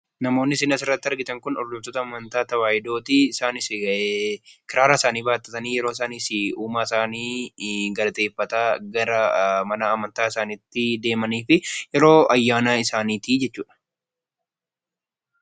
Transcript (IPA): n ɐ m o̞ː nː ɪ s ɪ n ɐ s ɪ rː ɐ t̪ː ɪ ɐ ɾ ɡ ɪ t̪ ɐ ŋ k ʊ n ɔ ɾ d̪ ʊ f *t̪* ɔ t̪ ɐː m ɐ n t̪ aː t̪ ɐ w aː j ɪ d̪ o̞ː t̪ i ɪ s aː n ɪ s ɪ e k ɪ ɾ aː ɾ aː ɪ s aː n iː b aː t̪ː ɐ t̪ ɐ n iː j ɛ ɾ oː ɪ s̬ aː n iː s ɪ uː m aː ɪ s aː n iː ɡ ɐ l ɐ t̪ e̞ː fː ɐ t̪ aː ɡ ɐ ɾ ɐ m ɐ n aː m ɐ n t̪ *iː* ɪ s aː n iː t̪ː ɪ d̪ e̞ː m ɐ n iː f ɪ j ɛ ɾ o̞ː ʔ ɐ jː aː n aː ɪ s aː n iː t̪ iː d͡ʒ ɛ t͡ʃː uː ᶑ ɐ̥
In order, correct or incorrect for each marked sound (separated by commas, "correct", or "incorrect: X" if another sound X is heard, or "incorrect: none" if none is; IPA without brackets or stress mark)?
correct, incorrect: aː